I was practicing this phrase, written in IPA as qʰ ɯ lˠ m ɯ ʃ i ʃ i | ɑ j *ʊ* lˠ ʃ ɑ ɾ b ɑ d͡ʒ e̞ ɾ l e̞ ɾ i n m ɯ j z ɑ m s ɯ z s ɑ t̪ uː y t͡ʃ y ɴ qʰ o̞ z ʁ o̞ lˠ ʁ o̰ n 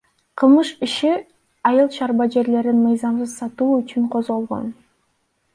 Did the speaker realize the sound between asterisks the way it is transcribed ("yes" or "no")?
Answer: no